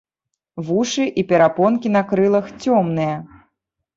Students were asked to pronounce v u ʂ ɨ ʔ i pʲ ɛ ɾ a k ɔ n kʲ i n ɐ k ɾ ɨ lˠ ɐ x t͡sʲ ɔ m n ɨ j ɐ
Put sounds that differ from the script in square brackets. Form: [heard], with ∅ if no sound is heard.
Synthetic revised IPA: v u ʂ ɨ ʔ i pʲ ɛ ɾ a [p] ɔ n kʲ i n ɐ k ɾ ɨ lˠ ɐ x t͡sʲ ɔ m n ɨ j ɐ